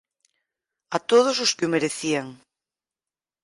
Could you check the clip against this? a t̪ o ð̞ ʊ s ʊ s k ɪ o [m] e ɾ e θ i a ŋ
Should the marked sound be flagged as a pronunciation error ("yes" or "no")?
no